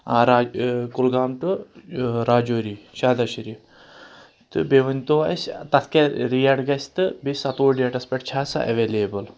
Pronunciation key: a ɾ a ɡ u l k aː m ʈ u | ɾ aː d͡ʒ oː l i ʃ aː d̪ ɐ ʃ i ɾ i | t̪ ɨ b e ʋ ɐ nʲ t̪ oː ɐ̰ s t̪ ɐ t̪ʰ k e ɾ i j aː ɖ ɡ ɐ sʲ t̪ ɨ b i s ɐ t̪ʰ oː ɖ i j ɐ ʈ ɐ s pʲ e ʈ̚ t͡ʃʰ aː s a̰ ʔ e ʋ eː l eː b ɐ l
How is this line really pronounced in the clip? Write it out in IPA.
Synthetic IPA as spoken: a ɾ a k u l ɡ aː m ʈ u | ɾ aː d͡ʒ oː ɾ i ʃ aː d̪ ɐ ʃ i ɾ i | t̪ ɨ b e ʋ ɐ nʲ t̪ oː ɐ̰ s t̪ ɐ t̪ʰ k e ɾ i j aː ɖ ɡ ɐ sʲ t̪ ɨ b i s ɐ t̪ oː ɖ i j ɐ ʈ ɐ s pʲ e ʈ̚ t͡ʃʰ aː s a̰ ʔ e ʋ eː l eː b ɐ l